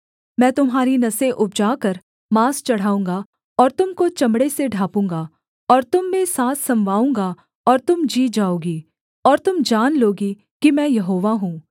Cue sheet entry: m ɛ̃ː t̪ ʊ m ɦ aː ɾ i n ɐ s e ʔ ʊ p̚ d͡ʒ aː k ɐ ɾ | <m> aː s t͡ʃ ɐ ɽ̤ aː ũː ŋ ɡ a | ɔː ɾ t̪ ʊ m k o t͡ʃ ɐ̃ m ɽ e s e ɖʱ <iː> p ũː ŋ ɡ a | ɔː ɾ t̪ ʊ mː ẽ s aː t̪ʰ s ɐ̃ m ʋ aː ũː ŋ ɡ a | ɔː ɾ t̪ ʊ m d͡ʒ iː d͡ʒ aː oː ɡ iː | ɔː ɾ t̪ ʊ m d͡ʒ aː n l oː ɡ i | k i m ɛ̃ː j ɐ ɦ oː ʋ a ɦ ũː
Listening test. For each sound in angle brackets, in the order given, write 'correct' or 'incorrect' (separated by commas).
correct, incorrect